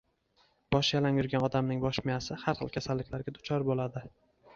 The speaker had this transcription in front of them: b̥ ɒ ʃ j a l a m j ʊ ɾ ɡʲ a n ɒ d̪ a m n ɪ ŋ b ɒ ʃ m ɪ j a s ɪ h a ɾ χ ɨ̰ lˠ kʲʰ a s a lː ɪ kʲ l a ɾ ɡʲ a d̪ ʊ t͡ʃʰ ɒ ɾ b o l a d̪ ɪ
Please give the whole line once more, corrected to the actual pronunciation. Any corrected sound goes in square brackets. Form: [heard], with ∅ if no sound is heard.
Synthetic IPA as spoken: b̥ ɒ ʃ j a l a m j ʊ ɾ ɡʲ a n ɒ d̪ a m n ɪ ŋ b ɒ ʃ m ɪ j a s ɪ h a ɾ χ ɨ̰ lˠ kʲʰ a s a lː ɪ kʲ l a ɾ ɡʲ a d̪ ʊ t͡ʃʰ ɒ ɾ b o l a d̪ ɪ